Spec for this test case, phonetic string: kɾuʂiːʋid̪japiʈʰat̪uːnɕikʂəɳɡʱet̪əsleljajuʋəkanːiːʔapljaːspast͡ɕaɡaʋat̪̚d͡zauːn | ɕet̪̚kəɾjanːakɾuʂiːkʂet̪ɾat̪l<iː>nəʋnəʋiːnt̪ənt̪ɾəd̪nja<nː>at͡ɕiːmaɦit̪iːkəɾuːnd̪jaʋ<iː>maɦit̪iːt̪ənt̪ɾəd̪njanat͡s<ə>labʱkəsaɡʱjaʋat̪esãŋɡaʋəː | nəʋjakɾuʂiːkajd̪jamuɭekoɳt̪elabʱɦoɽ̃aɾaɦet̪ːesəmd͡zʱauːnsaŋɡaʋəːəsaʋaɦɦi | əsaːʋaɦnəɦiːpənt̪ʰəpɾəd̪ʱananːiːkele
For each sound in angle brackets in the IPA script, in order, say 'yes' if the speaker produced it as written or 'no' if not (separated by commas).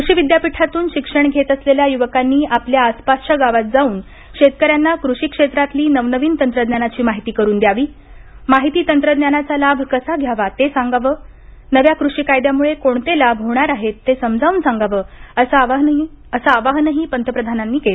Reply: yes, no, yes, no